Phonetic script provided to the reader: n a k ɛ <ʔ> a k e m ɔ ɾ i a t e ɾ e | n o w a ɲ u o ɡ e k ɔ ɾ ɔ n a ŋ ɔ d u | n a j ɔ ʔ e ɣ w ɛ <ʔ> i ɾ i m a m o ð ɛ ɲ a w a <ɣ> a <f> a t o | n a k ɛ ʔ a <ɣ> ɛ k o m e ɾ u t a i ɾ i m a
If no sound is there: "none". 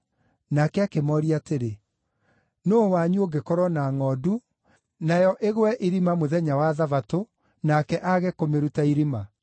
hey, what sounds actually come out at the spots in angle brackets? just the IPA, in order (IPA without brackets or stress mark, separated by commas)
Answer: none, ʔ, ð, v, ɣ